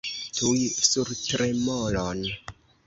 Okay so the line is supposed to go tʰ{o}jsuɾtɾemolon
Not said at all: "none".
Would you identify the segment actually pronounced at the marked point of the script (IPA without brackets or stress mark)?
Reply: u